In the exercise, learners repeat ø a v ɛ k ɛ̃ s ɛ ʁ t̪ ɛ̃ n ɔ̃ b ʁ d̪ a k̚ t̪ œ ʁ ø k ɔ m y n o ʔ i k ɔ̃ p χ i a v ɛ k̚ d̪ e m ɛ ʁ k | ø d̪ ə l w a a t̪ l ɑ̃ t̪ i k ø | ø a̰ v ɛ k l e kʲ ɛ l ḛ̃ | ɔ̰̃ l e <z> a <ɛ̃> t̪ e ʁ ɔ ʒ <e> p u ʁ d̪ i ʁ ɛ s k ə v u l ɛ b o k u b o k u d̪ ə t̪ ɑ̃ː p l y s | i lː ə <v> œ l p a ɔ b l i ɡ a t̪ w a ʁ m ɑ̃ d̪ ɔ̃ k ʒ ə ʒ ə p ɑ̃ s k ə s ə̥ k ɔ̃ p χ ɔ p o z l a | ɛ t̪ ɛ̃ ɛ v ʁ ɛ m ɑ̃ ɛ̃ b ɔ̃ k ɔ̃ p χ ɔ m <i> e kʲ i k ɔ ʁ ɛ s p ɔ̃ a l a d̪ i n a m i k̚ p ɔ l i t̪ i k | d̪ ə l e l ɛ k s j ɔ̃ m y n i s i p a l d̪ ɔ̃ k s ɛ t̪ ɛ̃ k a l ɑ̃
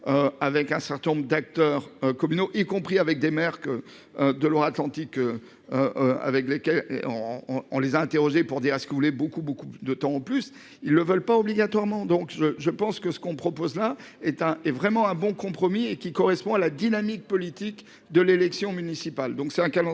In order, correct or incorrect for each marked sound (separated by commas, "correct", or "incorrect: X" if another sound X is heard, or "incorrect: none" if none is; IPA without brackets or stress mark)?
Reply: correct, correct, correct, correct, correct